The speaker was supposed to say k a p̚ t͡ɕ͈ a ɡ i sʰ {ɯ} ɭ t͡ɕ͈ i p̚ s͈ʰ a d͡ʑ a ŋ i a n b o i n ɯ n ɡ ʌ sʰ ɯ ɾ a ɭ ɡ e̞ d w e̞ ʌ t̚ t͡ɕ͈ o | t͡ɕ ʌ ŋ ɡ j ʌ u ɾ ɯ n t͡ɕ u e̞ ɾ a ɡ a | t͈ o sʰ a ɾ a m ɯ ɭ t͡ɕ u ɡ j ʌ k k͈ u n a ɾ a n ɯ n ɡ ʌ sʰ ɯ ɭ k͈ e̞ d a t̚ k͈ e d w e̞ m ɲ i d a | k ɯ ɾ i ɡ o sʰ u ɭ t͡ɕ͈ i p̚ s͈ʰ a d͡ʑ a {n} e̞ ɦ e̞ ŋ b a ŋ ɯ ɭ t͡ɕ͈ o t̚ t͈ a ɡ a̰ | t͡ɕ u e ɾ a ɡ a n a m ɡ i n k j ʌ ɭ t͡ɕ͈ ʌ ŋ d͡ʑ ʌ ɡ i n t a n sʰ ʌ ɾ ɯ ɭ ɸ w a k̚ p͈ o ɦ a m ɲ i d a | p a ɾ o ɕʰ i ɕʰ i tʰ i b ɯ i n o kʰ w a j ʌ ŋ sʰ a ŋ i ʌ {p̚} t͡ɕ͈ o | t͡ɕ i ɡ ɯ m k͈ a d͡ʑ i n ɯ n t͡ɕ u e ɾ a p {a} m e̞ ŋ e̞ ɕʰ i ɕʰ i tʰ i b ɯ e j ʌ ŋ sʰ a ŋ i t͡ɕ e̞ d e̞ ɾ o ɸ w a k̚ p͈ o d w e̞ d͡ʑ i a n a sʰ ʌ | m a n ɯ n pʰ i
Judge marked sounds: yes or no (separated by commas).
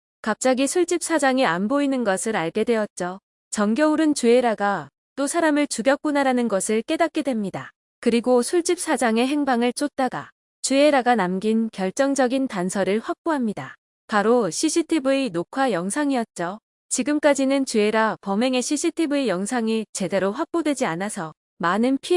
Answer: no, no, no, no